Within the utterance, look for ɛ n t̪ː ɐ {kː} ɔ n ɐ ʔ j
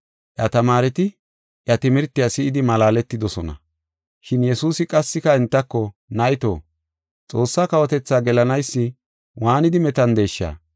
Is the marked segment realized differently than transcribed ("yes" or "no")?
no